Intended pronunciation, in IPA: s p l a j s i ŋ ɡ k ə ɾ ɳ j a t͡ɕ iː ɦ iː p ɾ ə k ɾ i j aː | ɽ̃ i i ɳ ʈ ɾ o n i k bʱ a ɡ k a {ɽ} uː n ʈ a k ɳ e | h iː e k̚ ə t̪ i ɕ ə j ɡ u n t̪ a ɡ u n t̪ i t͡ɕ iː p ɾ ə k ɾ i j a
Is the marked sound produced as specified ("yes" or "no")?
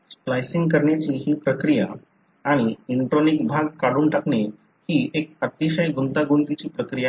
yes